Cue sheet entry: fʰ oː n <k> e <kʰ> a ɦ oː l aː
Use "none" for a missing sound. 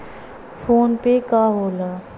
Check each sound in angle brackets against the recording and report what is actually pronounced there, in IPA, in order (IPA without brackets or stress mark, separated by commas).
p, k